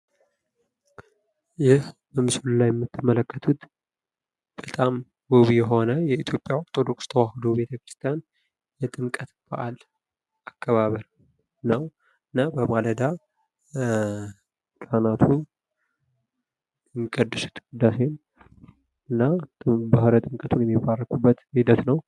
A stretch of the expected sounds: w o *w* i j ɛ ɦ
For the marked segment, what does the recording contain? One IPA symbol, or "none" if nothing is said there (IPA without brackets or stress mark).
β